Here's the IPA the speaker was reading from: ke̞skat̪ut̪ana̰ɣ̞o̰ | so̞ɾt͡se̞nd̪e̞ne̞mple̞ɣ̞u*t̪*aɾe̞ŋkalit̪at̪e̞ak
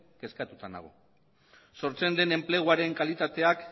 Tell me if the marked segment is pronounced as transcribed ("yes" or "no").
no